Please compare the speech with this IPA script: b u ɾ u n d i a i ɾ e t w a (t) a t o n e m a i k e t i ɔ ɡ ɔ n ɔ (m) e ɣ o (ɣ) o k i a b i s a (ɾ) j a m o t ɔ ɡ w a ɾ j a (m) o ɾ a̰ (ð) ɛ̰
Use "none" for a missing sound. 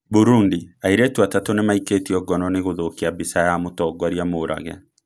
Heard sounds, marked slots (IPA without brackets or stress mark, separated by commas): t, n, ð, none, m, ɣ